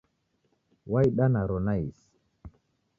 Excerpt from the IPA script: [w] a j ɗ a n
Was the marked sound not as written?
no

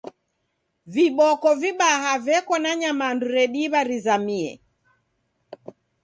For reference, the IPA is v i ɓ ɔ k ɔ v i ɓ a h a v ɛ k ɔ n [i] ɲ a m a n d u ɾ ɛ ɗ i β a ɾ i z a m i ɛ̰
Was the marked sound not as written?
yes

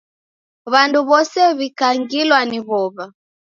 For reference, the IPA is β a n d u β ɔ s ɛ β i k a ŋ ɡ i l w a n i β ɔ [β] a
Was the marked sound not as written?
no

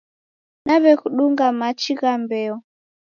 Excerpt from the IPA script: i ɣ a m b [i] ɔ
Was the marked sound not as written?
yes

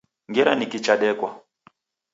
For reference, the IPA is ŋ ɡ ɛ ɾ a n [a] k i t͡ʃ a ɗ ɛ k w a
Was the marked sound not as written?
yes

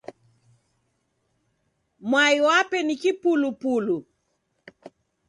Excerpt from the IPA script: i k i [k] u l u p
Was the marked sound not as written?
yes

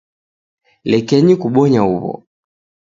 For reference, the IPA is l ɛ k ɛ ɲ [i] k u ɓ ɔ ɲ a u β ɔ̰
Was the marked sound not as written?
no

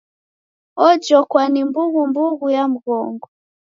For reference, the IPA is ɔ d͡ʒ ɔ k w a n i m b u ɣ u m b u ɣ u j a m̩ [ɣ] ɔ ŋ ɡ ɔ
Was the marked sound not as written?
no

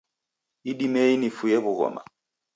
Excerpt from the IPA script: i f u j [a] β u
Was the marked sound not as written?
yes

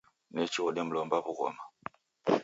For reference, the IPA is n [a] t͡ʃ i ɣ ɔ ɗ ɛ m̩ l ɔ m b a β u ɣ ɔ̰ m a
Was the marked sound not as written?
yes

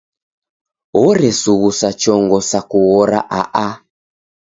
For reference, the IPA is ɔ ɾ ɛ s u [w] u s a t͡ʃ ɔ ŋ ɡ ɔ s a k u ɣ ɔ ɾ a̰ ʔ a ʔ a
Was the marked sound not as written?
yes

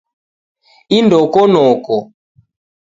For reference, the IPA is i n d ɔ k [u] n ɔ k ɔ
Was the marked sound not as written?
yes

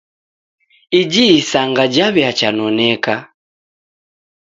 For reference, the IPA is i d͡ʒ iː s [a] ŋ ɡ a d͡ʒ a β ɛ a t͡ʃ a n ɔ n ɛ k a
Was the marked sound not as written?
no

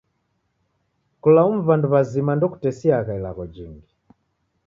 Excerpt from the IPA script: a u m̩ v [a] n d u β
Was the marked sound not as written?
no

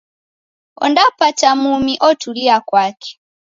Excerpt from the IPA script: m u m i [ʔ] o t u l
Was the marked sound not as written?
no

